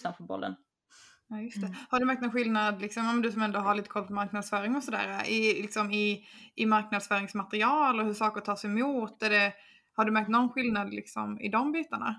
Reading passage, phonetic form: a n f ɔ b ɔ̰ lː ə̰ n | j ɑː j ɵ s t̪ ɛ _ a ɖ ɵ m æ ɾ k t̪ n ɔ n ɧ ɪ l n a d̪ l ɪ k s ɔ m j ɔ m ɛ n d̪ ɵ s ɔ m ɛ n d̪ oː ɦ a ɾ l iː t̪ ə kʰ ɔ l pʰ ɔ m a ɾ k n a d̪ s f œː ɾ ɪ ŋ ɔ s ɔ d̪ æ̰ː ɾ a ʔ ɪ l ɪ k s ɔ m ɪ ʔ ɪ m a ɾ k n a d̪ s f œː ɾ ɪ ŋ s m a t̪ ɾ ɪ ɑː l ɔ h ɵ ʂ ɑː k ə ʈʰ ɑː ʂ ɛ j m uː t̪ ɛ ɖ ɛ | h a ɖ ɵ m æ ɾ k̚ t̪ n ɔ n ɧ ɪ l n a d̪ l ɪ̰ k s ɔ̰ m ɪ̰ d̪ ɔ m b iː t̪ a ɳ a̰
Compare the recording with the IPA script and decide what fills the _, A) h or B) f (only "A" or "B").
A